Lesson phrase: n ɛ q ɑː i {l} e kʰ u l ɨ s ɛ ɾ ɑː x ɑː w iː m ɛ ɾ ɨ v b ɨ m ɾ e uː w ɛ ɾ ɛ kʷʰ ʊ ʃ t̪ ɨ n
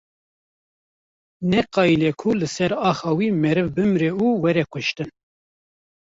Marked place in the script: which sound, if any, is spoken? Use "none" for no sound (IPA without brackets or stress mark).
l